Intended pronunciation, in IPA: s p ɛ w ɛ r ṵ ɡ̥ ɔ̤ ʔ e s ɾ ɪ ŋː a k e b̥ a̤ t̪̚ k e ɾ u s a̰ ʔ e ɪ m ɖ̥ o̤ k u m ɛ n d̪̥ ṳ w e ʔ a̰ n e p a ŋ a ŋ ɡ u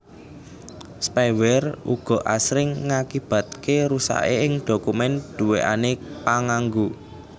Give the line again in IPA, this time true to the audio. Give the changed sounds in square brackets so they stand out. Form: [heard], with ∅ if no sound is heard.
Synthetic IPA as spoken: s p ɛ w ɛ r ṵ ɡ̥ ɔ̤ ʔ [a] s ɾ ɪ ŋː a k [i] b̥ a̤ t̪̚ k e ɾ u s a̰ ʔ e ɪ [ŋ] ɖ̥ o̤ k u m ɛ n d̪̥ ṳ w e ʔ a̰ n e p a ŋ a ŋ ɡ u